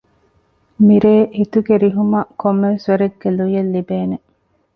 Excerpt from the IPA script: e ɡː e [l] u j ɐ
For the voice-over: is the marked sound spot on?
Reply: yes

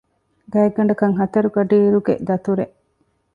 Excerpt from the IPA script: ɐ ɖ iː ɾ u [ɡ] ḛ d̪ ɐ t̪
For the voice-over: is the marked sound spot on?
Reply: yes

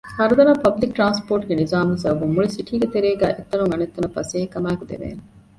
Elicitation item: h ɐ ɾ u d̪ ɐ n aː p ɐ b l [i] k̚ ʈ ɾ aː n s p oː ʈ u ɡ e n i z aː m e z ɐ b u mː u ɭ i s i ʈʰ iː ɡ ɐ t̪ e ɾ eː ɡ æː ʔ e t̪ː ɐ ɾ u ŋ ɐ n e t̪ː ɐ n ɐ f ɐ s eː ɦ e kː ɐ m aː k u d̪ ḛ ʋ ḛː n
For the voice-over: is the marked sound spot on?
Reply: yes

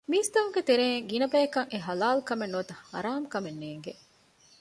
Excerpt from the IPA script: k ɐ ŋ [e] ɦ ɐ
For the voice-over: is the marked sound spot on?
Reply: yes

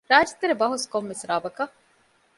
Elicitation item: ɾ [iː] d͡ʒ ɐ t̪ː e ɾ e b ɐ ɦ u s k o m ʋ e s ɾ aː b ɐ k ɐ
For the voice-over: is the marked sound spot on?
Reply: no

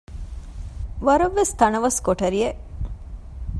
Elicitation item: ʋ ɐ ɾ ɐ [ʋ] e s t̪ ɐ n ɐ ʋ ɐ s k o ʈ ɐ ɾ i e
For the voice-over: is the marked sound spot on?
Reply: no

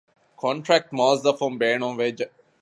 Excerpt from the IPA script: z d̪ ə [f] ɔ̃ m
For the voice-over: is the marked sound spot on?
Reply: yes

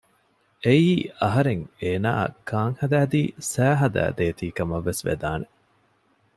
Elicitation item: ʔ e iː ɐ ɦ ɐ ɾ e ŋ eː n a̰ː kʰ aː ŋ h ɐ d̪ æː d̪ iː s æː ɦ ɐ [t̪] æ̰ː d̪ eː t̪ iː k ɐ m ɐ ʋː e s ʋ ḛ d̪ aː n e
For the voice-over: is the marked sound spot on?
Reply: no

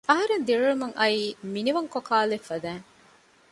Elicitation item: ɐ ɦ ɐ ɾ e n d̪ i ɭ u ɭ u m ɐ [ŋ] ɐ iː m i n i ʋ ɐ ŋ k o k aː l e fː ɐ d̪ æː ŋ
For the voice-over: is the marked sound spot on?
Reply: yes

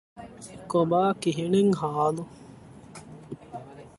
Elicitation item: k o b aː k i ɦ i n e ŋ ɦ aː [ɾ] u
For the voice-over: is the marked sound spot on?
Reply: no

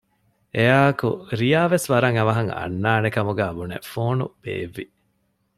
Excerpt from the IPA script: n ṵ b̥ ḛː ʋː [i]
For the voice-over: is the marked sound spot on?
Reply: yes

